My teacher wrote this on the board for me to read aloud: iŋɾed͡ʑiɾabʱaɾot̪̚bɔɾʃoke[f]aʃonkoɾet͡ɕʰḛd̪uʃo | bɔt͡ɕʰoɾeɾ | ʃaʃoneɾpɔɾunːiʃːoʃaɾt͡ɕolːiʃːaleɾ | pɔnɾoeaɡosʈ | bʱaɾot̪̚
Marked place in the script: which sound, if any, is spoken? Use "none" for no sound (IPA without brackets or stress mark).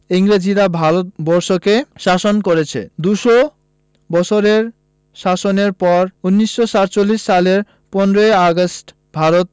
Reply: ʃ